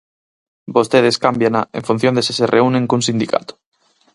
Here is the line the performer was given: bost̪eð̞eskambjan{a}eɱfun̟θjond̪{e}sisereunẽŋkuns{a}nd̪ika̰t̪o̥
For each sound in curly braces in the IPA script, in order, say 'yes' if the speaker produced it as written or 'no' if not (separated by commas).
yes, yes, no